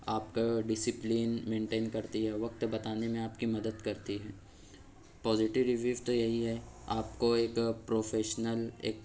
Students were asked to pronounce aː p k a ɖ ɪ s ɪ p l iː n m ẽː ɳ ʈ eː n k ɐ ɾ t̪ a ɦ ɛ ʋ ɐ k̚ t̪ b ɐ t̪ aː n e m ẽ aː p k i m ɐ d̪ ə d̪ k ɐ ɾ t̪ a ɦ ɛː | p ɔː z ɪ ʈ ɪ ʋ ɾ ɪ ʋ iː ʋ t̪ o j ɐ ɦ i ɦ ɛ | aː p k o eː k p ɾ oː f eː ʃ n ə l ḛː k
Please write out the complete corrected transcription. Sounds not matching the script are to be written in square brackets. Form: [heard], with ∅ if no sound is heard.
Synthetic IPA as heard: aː p k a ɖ ɪ s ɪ p l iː n m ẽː ɳ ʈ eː n k ɐ ɾ t̪ [i] ɦ ɛ ʋ ɐ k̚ t̪ b ɐ t̪ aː n e m ẽ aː p k i m ɐ d̪ ə d̪ k ɐ ɾ t̪ [i] ɦ ɛː | p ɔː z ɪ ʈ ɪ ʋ ɾ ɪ ʋ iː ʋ t̪ o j ɐ ɦ i ɦ ɛ | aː p k o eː k p ɾ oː f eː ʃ n ə l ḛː k